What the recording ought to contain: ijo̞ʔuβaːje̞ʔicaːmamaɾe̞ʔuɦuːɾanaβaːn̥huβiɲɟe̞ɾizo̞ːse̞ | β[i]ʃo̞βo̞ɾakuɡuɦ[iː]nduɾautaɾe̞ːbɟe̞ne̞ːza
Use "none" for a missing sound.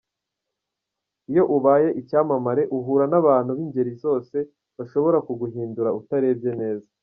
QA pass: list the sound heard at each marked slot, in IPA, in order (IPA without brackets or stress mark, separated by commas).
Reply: a, iː